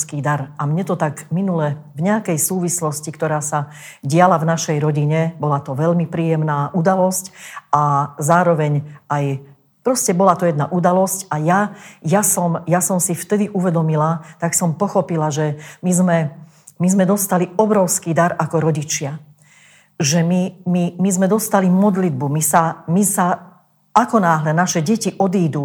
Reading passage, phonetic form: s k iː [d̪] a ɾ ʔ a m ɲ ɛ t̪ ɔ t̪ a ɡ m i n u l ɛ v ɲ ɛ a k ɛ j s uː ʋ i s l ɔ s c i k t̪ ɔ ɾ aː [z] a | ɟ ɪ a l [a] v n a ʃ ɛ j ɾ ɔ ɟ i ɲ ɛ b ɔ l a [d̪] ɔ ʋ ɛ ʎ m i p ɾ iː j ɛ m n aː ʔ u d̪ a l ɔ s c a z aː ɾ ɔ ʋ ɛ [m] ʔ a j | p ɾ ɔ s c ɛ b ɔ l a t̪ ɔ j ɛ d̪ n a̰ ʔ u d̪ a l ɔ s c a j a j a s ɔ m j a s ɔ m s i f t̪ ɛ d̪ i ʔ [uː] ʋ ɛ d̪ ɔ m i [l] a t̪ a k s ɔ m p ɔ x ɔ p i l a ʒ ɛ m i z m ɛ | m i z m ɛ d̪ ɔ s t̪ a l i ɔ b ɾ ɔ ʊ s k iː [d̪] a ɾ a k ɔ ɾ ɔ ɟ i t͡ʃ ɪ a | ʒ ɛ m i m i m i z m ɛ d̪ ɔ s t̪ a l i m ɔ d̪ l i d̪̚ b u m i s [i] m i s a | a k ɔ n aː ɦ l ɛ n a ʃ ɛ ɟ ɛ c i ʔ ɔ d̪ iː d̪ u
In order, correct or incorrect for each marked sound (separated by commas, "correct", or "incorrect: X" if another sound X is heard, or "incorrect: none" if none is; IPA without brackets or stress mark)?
correct, incorrect: s, correct, incorrect: t̪, incorrect: ɲ, incorrect: u, correct, correct, incorrect: a